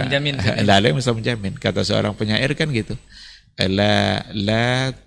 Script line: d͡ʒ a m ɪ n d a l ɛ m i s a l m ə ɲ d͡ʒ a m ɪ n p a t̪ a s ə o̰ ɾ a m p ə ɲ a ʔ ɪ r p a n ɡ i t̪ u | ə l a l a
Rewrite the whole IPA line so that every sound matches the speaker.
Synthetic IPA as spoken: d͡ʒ a m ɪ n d a l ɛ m i s a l m ə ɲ d͡ʒ a m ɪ n k a t̪ a s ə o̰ ɾ a ŋ p ə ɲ a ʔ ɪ r k a n ɡ i t̪ u | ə l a l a